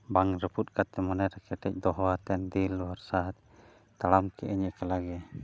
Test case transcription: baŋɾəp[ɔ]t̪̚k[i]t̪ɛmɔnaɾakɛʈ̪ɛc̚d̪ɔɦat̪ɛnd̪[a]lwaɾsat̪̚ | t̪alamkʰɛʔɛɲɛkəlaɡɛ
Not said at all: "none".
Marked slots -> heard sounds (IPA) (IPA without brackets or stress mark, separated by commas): u, a, i